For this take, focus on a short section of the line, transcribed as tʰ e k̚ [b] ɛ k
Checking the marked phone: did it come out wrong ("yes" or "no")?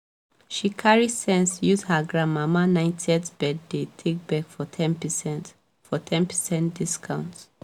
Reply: no